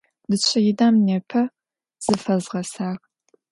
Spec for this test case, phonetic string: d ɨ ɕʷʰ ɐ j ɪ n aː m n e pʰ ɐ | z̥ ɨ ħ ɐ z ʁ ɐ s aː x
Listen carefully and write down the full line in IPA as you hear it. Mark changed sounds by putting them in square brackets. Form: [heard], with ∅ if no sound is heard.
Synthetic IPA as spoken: d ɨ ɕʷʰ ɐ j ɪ [d] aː m n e pʰ ɐ | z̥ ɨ [f] ɐ z ʁ ɐ s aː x